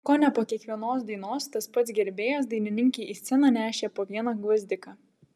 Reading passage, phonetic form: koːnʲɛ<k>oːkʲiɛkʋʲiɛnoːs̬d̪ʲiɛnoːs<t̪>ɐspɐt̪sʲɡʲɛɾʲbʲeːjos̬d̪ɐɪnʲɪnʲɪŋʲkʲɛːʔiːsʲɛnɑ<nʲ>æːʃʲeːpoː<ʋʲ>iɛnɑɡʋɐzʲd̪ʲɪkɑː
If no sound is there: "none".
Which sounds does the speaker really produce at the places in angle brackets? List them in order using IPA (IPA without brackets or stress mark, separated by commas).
p, t̪, nʲ, ʋʲ